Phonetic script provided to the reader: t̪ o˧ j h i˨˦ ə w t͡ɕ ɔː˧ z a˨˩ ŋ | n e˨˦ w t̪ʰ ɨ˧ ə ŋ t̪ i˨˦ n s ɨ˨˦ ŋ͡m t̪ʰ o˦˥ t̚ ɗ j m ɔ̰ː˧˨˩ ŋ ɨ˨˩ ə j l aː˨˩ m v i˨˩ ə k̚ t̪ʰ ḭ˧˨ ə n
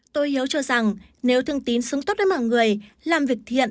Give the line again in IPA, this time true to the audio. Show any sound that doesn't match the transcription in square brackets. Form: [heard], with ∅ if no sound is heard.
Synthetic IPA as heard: t̪ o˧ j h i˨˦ ə w t͡ɕ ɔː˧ z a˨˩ ŋ | n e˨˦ w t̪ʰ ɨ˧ ə ŋ t̪ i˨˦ n s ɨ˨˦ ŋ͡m [t̪] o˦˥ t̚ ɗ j m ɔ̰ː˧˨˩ ŋ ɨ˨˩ ə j l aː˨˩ m v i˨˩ ə k̚ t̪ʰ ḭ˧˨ ə n